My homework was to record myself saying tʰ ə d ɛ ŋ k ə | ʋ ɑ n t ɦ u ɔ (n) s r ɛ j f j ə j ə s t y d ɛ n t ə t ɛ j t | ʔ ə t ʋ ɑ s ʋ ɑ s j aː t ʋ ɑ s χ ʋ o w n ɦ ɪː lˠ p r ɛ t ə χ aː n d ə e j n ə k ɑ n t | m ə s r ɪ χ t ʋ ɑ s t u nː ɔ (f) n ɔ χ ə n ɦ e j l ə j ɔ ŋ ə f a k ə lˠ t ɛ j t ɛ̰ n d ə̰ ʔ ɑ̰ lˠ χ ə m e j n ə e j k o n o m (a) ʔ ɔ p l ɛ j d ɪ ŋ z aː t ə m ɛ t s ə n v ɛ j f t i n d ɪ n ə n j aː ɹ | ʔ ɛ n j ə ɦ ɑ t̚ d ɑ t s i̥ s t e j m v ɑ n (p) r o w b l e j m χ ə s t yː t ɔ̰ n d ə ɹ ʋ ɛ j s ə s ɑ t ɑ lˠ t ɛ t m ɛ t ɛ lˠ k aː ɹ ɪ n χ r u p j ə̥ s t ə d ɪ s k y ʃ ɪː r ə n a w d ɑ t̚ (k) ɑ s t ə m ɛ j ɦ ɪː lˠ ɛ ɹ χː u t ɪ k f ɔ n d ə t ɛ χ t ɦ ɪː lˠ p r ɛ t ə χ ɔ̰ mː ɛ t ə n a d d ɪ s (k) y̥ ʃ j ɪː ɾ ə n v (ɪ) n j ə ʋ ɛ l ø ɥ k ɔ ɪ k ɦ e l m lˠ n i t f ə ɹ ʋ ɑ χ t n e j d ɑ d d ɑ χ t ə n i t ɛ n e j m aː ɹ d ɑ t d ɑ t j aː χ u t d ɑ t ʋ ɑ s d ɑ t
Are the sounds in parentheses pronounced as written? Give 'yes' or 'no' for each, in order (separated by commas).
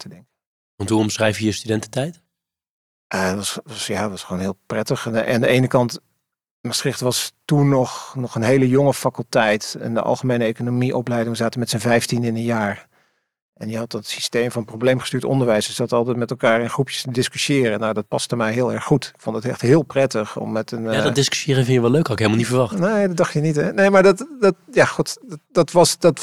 no, no, no, yes, no, yes, yes